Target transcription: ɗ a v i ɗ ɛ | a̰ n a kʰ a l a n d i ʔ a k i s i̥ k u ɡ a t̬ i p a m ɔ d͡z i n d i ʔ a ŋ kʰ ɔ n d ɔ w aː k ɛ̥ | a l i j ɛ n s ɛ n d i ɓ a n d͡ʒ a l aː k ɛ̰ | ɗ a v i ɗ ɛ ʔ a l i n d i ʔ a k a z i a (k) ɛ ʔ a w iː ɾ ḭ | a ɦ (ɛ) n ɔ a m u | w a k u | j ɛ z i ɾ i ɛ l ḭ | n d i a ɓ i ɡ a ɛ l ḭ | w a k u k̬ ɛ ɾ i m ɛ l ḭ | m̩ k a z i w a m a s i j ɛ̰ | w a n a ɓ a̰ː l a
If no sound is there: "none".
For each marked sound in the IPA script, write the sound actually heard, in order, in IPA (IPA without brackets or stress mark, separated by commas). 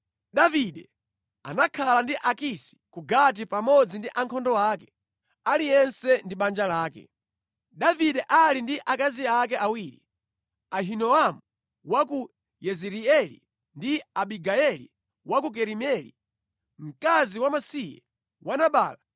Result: k, i